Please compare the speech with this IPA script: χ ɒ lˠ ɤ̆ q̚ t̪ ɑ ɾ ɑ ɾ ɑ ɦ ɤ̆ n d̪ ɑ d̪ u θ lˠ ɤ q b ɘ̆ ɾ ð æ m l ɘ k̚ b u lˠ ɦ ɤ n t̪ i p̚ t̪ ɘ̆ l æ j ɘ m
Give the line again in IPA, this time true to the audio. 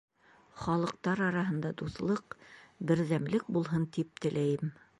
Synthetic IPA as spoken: χ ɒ lˠ ɤ̆ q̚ t̪ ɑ ɾ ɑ ɾ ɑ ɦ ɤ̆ n d̪ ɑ d̪ u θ lˠ ɤ q b ɘ̆ ɾ ð æ m l ɘ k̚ b u lˠ ɦ ɤ n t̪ i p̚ t̪ ɘ̆ l æ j ɘ m